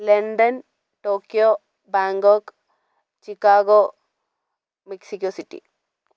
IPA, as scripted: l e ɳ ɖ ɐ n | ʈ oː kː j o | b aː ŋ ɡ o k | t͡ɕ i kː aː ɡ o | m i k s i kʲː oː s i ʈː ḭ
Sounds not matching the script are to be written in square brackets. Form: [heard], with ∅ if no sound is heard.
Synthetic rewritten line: l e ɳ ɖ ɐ n | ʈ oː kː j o | b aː ŋ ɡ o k | t͡ɕ i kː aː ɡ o | m i k s i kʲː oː s i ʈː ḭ